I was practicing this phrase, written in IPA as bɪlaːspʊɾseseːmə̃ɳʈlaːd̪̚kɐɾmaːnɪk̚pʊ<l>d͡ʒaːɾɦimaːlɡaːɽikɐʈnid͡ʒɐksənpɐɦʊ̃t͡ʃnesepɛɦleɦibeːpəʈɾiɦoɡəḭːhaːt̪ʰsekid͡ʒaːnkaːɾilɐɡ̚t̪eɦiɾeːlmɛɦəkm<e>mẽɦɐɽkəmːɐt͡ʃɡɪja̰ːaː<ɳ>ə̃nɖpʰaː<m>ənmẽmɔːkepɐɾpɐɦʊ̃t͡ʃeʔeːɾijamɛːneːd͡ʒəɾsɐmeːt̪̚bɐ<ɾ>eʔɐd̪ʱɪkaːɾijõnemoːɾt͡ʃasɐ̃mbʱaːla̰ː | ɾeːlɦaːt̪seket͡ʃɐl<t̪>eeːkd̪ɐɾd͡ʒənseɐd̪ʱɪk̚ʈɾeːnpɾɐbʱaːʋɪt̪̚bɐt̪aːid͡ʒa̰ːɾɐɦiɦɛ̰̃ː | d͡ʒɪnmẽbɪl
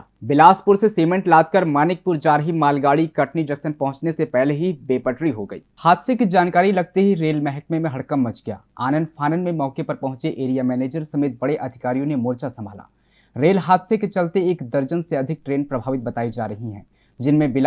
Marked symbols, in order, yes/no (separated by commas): no, yes, no, no, no, yes